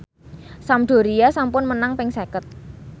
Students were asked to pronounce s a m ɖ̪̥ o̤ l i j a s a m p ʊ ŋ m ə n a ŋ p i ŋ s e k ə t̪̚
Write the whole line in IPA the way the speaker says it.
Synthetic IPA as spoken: s a m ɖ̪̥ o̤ ɾ i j a s a m p ʊ n m ə n a ŋ p ɪ ŋ s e k ə t̪̚